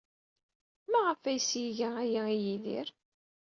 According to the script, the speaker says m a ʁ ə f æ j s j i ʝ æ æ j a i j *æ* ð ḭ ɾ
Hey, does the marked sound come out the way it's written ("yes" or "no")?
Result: no